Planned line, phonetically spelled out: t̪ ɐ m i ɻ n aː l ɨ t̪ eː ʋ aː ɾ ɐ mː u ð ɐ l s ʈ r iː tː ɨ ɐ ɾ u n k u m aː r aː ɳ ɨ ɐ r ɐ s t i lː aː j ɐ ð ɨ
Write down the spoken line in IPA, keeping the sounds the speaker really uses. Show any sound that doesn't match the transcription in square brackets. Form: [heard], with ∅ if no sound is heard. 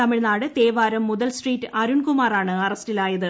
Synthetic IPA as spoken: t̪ ɐ m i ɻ n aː [ɽ] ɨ t̪ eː ʋ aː ɾ ɐ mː u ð ɐ l s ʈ r iː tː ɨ ɐ ɾ u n k u m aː r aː ɳ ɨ ɐ r ɐ s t i [l] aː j ɐ ð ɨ